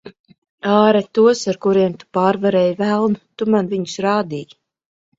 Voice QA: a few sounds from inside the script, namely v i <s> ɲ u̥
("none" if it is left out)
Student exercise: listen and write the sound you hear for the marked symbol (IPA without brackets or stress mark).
none